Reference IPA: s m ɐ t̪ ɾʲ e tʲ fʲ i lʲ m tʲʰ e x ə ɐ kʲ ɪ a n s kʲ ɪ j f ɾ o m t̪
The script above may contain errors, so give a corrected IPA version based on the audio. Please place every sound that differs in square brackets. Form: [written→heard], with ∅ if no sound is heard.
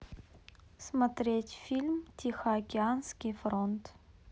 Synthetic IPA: s m ɐ t̪ ɾʲ e tʲ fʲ i lʲ m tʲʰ [e→i] x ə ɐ kʲ ɪ a n s kʲ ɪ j f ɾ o [m→n] t̪